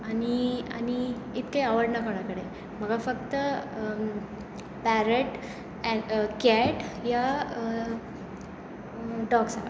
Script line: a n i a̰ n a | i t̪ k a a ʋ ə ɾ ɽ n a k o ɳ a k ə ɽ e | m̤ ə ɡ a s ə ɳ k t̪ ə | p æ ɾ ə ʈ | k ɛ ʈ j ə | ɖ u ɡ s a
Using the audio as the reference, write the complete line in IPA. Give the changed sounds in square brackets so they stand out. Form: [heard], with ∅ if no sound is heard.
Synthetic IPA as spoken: a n i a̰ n [i] | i t̪ k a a ʋ ə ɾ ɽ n a k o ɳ a k ə ɽ e | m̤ ə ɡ a [f] ə [∅] k t̪ ə | p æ ɾ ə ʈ | k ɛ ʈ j [a] | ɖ [ɔ] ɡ s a